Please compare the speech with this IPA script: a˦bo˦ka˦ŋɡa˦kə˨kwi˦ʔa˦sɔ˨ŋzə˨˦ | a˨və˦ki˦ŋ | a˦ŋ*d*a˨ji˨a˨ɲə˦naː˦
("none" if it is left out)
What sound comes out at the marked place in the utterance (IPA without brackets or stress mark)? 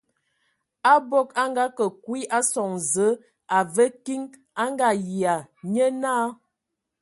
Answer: ɡ